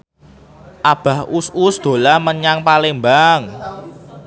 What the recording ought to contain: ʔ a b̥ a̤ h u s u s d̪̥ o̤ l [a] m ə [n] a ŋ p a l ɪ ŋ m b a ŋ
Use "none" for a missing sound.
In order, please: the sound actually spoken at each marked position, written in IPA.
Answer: a, ɲ

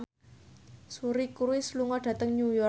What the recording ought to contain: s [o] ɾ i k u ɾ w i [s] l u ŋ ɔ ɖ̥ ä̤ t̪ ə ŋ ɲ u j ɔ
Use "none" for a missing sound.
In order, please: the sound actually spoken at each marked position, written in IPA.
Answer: u, s

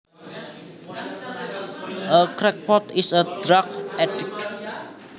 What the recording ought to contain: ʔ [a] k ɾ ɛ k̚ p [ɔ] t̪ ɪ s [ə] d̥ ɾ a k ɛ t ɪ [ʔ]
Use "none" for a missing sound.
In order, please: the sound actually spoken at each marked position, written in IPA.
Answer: ə, ɔ, ə, k

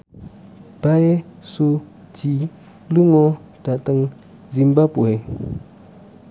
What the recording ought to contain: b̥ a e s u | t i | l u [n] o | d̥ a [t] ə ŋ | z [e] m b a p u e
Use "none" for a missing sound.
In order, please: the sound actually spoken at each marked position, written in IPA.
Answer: ŋ, t, i

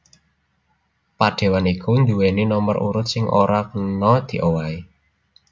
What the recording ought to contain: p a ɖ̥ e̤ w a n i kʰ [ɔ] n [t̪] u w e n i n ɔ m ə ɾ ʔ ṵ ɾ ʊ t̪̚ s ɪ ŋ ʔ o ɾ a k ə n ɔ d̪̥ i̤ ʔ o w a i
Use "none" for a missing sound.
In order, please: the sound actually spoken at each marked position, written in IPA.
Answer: u, d̪

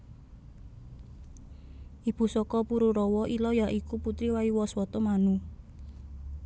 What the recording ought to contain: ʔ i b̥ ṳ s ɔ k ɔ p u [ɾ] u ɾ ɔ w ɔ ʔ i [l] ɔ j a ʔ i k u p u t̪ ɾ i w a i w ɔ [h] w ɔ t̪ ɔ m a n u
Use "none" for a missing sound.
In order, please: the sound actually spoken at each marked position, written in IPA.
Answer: ɾ, l, s

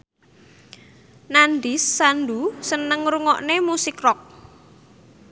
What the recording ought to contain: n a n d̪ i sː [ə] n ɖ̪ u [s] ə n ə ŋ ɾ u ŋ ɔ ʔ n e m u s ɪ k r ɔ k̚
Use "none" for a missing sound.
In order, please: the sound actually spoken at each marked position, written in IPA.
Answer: a, s

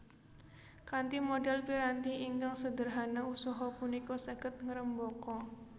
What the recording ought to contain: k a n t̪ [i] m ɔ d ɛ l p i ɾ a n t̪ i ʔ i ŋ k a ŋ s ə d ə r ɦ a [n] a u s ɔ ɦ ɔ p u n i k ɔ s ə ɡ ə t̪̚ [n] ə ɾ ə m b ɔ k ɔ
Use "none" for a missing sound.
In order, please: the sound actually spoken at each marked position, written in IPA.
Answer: i, n, ŋ

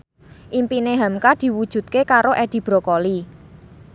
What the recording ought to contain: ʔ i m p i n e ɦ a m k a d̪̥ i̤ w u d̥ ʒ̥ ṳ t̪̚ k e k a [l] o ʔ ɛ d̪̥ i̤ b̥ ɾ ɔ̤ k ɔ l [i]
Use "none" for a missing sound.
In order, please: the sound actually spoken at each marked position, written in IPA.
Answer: ɾ, i

